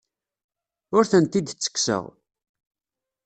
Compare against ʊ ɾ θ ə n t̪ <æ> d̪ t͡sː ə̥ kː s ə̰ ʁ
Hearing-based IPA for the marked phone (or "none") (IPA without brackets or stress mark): i